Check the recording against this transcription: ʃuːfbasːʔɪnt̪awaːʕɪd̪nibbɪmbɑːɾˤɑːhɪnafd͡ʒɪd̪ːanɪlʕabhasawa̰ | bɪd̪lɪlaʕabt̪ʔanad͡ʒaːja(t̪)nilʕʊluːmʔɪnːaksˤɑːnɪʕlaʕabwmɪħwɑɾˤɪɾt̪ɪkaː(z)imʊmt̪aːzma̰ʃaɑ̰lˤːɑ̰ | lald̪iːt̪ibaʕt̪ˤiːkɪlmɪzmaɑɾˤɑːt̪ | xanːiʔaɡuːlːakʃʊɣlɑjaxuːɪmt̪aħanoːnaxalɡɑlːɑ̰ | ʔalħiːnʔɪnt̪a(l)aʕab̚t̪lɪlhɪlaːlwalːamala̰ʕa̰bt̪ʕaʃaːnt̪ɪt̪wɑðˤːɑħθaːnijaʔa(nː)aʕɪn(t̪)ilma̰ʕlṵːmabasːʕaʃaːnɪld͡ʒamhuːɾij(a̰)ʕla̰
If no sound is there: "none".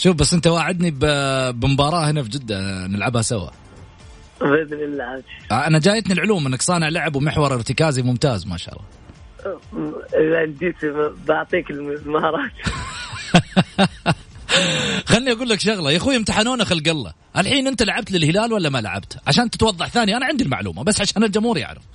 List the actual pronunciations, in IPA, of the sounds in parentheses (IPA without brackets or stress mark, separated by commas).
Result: t̪, z, l, n, d̪, a̰